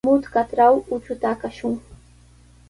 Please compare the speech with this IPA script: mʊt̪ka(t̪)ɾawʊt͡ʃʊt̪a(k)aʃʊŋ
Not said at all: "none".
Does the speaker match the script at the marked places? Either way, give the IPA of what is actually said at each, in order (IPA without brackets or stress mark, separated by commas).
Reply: t̪, k